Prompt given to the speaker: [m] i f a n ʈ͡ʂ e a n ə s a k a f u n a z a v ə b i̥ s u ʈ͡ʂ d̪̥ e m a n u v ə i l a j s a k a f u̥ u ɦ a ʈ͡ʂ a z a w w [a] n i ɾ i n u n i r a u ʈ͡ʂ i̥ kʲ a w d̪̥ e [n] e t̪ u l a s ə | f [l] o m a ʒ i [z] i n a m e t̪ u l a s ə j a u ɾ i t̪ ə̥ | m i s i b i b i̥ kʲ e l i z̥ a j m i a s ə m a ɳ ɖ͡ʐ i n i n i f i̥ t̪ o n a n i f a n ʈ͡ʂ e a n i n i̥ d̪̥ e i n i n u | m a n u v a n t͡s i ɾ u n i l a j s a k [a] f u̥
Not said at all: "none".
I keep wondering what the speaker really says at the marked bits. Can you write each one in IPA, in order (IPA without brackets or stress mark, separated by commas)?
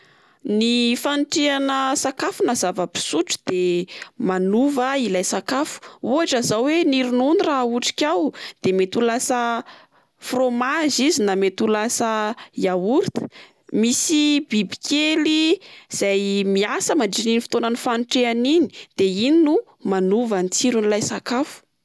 n, e, m, r, z, a